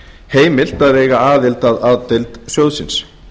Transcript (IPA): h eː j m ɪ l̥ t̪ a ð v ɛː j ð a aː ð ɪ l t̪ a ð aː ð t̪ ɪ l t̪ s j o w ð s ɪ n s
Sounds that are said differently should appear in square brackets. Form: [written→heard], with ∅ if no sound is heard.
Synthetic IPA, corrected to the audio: h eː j m ɪ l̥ t̪ a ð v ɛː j [ð→ɣ] a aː ð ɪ l t̪ a ð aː ð t̪ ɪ l t̪ s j o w ð s ɪ n s